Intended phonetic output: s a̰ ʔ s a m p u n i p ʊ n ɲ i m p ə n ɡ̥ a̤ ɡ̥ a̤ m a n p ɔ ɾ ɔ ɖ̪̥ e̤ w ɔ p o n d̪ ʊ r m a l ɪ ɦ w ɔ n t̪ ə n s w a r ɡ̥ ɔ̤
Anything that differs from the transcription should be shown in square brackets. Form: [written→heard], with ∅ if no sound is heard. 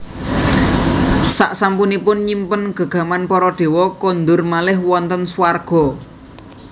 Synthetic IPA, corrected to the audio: s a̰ ʔ s a m p u n i p ʊ n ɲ i m p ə n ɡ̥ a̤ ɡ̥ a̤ m a n p ɔ ɾ ɔ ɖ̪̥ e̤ w ɔ [p→k] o n d̪ ʊ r m a l ɪ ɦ w ɔ n t̪ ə n s w a r ɡ̥ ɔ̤